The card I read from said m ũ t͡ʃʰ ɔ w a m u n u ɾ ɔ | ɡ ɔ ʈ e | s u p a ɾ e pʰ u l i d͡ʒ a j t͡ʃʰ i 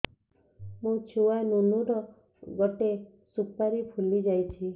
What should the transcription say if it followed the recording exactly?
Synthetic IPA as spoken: m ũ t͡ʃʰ u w a n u n u ɾ ɔ | ɡ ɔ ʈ e | s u p a ɾ i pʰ u l i d͡ʒ a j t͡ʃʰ i